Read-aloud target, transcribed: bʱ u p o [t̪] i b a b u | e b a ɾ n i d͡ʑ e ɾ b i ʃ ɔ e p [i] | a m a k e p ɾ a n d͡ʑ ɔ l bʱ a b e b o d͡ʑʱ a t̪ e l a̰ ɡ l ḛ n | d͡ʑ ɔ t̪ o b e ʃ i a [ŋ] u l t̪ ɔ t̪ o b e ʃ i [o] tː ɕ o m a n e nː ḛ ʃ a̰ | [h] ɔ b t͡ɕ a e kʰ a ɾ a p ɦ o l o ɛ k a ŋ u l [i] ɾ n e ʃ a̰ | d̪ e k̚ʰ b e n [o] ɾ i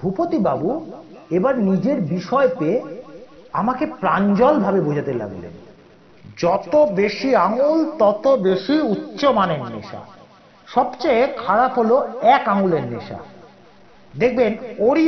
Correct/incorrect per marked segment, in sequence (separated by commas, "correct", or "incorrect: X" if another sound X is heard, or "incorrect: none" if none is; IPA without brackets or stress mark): correct, incorrect: e, correct, incorrect: u, incorrect: ʃ, incorrect: e, correct